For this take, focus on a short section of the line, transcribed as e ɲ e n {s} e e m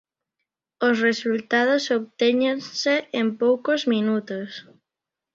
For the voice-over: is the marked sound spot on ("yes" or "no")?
yes